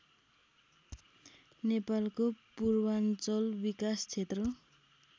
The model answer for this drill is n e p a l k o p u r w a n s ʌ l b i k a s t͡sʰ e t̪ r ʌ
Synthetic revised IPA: n e p a l k o p u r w a n t͡s ʌ l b i k a s t͡sʰ e t̪ r ʌ

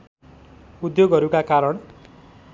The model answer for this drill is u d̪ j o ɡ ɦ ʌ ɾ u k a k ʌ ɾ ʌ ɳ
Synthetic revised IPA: u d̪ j o ɡ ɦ ʌ ɾ u k a k a ɾ ʌ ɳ

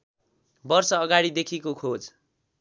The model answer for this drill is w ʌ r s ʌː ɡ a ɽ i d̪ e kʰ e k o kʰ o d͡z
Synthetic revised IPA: b ʌ r s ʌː ɡ a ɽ i d̪ e kʰ i k o kʰ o d͡z

